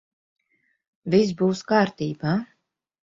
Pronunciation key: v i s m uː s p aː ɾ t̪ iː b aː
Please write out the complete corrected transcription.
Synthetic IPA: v i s b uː s k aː ɾ t̪ iː b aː